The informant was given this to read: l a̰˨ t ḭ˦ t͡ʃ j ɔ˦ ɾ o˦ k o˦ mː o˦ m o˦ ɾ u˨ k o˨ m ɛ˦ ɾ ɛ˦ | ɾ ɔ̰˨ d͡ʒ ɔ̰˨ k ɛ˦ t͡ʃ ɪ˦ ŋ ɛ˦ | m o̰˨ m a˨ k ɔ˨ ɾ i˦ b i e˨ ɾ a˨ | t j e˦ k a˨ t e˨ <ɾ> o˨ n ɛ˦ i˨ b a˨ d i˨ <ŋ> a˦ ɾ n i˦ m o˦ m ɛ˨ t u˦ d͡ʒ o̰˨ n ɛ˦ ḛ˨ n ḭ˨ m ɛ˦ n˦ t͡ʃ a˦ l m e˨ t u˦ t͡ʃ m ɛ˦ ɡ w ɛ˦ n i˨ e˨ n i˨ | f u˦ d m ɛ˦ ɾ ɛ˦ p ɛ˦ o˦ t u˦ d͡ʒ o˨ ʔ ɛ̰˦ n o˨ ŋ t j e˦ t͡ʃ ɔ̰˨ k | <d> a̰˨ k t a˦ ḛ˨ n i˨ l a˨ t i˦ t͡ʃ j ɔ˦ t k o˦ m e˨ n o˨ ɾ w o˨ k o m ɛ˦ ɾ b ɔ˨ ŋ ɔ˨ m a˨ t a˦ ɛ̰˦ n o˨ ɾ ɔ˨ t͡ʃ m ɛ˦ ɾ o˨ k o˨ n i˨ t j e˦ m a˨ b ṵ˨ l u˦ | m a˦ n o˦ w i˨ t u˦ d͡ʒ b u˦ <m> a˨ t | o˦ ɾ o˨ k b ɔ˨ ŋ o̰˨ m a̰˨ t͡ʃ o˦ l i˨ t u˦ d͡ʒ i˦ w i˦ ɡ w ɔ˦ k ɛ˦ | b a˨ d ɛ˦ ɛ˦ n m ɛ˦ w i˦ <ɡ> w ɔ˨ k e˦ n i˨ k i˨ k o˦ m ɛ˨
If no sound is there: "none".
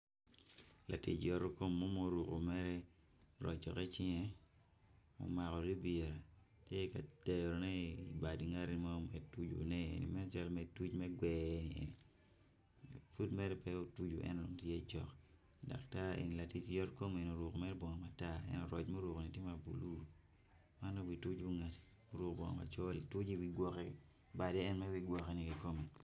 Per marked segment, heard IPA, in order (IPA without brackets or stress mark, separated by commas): ɾ, ŋ, d, ŋ, ɡ